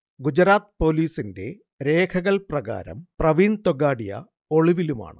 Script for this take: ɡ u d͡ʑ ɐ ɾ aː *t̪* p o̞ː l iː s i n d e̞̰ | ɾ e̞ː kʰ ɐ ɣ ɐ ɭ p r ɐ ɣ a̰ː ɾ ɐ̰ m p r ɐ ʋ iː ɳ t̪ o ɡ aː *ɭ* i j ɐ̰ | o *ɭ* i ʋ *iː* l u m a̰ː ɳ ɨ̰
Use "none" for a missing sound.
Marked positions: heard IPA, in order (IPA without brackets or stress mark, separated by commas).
t̪, ɽ, ɭ, i